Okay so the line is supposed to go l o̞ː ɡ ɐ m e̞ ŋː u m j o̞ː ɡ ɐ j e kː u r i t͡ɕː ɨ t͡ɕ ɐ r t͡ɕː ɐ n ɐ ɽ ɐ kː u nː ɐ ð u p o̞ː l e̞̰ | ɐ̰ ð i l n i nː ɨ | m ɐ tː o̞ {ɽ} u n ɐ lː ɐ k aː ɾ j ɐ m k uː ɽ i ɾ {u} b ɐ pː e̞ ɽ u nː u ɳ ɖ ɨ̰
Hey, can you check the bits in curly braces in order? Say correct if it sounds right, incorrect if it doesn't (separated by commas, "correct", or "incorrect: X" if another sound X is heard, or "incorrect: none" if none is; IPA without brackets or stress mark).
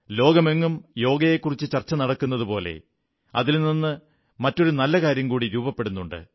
incorrect: ɾ, incorrect: uː